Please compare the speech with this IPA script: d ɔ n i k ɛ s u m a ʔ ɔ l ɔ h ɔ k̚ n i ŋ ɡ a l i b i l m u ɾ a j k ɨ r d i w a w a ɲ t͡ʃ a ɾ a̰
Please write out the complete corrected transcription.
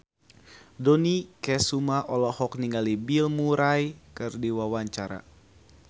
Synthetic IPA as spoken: d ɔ n i k ɛ s u m a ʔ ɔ l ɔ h ɔ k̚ n i ŋ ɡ a l i b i l m u ɾ a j k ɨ r d i w a w a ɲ t͡ʃ a ɾ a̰

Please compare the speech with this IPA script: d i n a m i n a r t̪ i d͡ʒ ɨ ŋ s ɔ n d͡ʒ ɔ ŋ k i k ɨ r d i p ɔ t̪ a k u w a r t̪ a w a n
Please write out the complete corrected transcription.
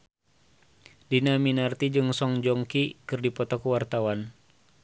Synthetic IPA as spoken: d i n a m i n a r t̪ i d͡ʒ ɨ ŋ s ɔ ŋ d͡ʒ ɔ ŋ k i k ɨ r d i p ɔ t̪ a k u w a r t̪ a w a n

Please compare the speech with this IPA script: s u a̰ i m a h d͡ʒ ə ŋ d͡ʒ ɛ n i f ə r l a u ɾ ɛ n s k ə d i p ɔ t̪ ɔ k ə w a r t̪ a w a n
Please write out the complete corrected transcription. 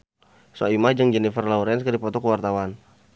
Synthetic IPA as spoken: s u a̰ i m a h d͡ʒ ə ŋ d͡ʒ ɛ n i f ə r l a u ɾ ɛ n s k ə d i p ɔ t̪ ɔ k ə w a r t̪ a w a n

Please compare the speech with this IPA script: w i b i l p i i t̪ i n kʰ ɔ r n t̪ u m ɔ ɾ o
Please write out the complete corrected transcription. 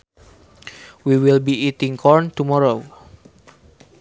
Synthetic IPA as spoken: w i w i l b i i t̪ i ŋ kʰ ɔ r n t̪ u m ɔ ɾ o

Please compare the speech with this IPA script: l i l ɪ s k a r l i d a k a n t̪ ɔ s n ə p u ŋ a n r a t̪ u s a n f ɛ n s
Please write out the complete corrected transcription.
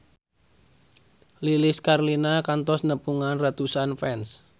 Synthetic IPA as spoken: l i l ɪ s k a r l i n a k a n t̪ ɔ s n ə p u ŋ a n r a t̪ u s a n f ɛ n s

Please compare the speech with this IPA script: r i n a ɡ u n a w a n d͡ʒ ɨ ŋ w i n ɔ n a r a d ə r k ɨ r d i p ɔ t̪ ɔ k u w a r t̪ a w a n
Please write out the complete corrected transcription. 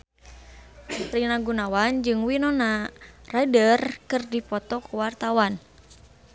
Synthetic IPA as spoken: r i n a ɡ u n a w a n d͡ʒ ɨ ŋ w i n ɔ n a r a d ə r k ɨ r d i p ɔ t̪ ɔ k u w a r t̪ a w a n

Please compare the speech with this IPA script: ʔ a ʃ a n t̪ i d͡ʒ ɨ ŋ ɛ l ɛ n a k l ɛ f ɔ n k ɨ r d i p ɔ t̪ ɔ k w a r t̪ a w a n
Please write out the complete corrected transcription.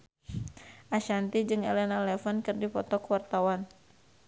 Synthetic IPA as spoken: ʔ a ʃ a n t̪ i d͡ʒ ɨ ŋ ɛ l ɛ n a l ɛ f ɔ n k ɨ r d i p ɔ t̪ ɔ k w a r t̪ a w a n

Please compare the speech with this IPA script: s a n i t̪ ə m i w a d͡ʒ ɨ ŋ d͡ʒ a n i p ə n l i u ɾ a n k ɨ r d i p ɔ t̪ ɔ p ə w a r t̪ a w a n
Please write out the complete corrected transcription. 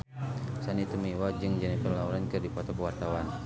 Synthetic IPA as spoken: s a n i t̪ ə m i w a d͡ʒ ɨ ŋ d͡ʒ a n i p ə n l a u ɾ a n k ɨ r d i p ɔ t̪ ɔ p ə w a r t̪ a w a n

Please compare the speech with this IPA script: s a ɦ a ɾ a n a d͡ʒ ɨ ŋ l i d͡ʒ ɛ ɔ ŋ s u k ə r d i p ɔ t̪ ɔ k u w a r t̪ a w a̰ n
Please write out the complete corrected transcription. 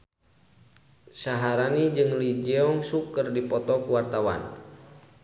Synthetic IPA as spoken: s a ɦ a ɾ a n i d͡ʒ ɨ ŋ l i d͡ʒ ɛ ɔ ŋ s u k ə r d i p ɔ t̪ ɔ k u w a r t̪ a w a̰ n

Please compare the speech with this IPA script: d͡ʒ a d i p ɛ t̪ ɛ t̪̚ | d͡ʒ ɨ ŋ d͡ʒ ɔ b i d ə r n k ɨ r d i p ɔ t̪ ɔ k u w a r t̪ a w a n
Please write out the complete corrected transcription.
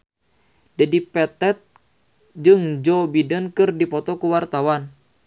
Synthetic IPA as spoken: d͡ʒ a d i p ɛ t̪ ɛ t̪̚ | d͡ʒ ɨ ŋ d͡ʒ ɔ b i d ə n k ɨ r d i p ɔ t̪ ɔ k u w a r t̪ a w a n

